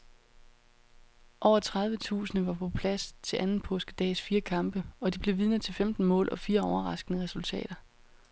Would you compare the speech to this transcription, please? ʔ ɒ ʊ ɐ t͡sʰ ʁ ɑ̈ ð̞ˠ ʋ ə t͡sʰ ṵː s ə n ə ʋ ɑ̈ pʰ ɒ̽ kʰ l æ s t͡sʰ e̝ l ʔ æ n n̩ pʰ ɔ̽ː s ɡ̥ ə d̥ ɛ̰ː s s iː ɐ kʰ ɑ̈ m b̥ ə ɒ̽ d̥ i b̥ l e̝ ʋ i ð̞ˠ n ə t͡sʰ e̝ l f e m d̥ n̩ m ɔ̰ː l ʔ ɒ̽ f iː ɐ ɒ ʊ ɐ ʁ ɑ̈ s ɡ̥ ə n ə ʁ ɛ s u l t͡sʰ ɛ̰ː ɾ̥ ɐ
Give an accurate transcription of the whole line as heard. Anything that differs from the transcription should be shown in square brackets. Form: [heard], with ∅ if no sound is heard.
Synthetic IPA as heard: ʔ ɒ ʊ ɐ t͡sʰ ʁ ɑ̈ ð̞ˠ ʋ ə t͡sʰ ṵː s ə n ə ʋ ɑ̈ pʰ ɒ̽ [pʰ] l æ s t͡sʰ e̝ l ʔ æ n n̩ pʰ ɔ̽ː s ɡ̥ ə d̥ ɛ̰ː s [f] iː ɐ kʰ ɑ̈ m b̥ ə ɒ̽ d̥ i b̥ l e̝ ʋ i ð̞ˠ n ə t͡sʰ e̝ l f e m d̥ n̩ m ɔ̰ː l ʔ ɒ̽ f iː ɐ ɒ ʊ ɐ ʁ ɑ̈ s ɡ̥ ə n ə ʁ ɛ s u l t͡sʰ ɛ̰ː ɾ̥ ɐ